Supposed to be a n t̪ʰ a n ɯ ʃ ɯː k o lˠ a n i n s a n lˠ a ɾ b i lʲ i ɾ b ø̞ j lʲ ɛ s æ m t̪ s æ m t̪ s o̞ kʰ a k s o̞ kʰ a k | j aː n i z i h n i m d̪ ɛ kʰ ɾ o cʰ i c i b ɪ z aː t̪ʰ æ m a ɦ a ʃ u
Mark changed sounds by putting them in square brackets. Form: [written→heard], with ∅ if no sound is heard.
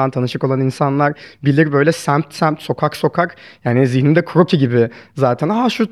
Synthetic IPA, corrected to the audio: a n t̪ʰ a n ɯ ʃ [ɯː→ɯ] k o lˠ a n i n s a n lˠ a ɾ b i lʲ i ɾ b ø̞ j lʲ ɛ s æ m t̪ s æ m t̪ s o̞ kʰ a k s o̞ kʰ a k | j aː n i z i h n i m d̪ ɛ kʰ ɾ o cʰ i [c→ɟ] i b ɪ z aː t̪ʰ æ [m→n] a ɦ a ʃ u